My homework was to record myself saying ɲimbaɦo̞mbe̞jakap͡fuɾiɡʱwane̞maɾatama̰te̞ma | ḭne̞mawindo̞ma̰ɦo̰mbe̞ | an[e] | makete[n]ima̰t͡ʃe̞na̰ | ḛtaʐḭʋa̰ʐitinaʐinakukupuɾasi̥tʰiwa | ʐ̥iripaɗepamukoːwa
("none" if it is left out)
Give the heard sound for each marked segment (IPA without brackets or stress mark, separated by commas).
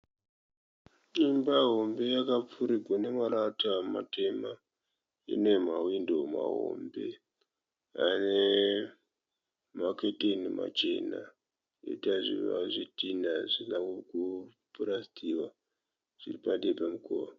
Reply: e, n